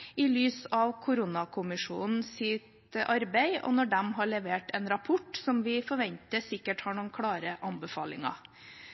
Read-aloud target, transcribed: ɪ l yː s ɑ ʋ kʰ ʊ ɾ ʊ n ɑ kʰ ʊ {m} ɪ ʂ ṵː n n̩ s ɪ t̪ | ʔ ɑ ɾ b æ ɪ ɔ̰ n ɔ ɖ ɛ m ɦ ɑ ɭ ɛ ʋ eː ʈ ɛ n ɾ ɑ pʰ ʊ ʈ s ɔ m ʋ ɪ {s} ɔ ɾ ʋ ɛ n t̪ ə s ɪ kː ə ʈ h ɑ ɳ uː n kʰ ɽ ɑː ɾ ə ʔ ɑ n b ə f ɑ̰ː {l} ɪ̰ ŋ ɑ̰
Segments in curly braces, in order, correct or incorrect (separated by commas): correct, incorrect, correct